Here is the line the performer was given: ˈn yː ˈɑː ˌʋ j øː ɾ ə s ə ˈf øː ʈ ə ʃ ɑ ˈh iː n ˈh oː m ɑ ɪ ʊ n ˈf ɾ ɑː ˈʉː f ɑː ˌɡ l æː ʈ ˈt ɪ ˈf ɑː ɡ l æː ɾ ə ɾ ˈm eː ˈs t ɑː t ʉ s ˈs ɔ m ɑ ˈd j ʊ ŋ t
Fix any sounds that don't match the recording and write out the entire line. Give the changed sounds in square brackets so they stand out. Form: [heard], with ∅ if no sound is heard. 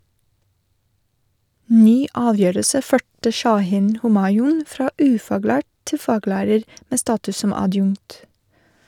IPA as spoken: ˈn yː ˈɑː ˌʋ j øː ɾ ə s ə ˈf øː ʈ ə ʃ ɑ ˈh iː n ˈh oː m ɑ ɪ ʊ n ˈf ɾ ɑː ˈʉː f ɑː ˌɡ l æː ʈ ˈt ɪ ˈf ɑː ɡ l æː ɾ ə ɾ ˈm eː ˈs t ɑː t ʉ s ˈs ɔ m ɑ ˈd j ʊ ŋ t